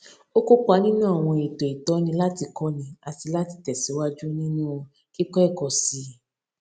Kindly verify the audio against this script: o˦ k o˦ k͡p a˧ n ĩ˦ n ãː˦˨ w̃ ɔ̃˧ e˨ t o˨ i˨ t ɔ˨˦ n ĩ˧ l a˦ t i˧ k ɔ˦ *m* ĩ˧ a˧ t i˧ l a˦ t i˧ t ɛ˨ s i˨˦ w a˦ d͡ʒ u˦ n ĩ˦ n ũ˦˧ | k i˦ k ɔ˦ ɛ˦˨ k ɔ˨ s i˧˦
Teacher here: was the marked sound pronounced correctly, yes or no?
no